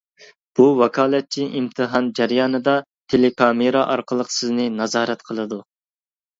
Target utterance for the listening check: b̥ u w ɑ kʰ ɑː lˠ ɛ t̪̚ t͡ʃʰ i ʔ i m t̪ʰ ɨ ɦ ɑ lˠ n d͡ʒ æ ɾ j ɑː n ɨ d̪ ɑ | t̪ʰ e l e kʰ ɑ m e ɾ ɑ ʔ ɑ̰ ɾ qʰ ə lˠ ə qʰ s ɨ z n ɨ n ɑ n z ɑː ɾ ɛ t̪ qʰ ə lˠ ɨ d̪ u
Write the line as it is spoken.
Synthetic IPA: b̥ u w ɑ kʰ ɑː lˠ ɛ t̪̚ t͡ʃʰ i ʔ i m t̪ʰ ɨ ɦ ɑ n d͡ʒ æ ɾ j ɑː n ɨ d̪ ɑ | t̪ʰ e l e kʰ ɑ m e ɾ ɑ ʔ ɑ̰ ɾ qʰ ə lˠ ə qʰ s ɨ z n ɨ n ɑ z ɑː ɾ ɛ t̪ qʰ ə lˠ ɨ d̪ u